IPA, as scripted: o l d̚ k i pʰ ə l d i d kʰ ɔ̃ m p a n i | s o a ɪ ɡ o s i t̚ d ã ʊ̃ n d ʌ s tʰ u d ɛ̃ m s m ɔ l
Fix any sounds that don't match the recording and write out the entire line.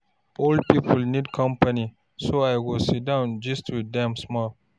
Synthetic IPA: o l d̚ p i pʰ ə l n i d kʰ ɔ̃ m p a n i | s o a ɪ ɡ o s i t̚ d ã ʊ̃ n d͡ʒ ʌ s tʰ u d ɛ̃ m s m ɔ l